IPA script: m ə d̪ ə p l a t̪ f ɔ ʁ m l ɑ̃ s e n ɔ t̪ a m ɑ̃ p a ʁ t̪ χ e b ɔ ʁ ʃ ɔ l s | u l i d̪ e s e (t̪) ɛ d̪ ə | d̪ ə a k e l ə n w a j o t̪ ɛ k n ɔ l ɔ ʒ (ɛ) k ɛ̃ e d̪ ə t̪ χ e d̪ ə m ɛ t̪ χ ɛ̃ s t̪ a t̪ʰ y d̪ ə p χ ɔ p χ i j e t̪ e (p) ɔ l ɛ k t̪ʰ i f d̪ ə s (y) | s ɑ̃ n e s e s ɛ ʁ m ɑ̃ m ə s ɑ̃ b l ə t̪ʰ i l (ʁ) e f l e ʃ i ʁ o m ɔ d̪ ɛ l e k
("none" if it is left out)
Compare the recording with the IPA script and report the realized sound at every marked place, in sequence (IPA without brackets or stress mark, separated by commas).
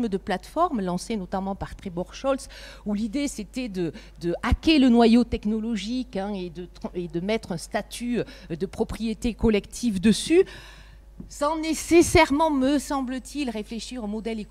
t̪, i, k, y, ʁ